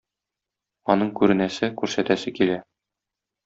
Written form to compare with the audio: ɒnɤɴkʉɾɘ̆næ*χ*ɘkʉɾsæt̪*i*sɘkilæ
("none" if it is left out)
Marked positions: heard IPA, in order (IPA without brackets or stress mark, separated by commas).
s, æ